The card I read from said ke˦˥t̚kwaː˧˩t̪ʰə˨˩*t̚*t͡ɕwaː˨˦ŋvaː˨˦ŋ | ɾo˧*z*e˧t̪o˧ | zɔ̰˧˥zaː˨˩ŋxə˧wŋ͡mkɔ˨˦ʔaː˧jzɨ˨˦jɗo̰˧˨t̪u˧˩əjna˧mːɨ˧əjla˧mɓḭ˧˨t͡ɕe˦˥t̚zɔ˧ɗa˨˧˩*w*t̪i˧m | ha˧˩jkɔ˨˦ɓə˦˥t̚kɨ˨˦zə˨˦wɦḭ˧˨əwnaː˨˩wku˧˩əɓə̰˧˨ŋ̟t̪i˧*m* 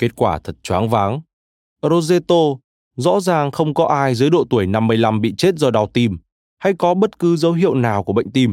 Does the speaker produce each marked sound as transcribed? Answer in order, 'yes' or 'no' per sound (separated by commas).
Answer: yes, yes, yes, yes